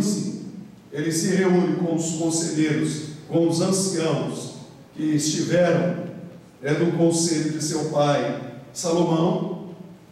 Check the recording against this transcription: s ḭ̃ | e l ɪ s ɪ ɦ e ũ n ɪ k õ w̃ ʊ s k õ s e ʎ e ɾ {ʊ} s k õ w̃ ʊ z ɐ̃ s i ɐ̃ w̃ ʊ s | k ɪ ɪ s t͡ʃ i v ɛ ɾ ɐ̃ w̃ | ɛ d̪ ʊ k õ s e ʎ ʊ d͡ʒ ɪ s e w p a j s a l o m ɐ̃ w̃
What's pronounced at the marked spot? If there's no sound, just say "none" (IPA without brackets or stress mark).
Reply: ʊ